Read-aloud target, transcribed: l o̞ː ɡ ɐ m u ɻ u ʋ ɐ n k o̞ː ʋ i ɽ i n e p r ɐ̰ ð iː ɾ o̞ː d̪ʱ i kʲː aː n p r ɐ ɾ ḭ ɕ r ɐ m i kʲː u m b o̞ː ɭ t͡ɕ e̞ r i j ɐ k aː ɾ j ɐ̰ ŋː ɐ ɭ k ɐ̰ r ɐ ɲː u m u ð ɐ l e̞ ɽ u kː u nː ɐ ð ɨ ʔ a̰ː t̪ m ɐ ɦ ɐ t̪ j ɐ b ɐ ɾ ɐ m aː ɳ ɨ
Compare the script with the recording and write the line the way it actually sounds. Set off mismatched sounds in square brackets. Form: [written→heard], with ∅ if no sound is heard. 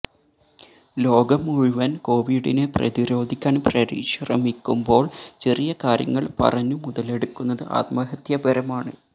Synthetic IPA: l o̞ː ɡ ɐ m u ɻ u ʋ ɐ n k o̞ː ʋ i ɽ i n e p r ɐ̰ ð [iː→i] ɾ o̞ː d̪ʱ i kʲː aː n p r ɐ ɾ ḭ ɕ r ɐ m i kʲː u m b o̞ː ɭ t͡ɕ e̞ r i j ɐ k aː ɾ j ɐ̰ ŋː ɐ ɭ [k→p] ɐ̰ r ɐ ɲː u m u ð ɐ l e̞ ɽ u kː u nː ɐ ð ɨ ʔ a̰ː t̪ m ɐ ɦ ɐ t̪ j ɐ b ɐ ɾ ɐ m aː ɳ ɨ